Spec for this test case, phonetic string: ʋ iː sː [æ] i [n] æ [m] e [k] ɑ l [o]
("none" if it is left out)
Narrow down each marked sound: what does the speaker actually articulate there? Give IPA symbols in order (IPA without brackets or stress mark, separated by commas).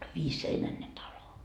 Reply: e, n, n, t, o